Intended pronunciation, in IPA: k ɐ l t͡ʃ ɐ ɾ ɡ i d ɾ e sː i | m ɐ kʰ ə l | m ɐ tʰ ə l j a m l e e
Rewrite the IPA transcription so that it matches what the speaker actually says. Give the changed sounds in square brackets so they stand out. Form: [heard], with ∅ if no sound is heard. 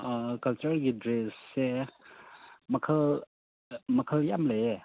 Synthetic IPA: k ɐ l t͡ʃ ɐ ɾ ɡ i d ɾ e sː [e] | m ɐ kʰ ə l | m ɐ [kʰ] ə l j a m l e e